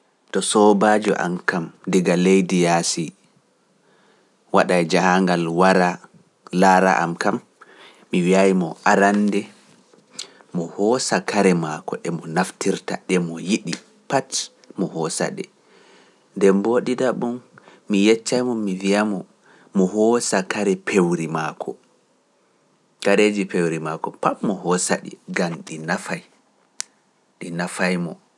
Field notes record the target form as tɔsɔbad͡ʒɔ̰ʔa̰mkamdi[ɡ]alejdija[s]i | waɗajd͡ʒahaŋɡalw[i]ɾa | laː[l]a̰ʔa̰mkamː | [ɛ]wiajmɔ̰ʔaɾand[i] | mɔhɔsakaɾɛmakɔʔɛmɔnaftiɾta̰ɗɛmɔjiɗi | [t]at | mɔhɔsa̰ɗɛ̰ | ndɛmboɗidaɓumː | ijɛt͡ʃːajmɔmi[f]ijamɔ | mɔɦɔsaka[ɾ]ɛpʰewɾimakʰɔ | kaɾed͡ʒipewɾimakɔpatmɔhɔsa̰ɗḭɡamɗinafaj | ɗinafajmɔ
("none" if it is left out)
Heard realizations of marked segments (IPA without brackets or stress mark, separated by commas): ɡ, s, a, ɾ, i, ɛ, p, v, ɾ